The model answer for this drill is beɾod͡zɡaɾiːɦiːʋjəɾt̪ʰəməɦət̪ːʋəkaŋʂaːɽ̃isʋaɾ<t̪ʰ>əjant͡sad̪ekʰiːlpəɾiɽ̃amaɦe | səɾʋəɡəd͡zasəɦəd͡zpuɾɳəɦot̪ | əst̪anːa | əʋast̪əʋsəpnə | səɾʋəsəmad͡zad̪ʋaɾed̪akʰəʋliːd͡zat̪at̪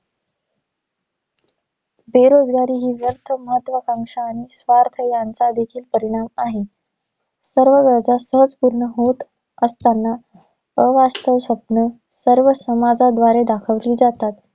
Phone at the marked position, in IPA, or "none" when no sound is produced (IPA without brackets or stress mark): t̪ʰ